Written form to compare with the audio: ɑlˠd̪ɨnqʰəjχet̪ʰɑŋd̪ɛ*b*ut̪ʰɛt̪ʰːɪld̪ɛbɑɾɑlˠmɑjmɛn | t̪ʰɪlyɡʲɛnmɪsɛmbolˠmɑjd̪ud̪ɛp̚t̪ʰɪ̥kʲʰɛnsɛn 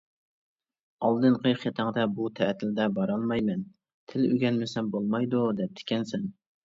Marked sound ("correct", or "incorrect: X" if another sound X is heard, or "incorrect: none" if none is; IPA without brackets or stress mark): correct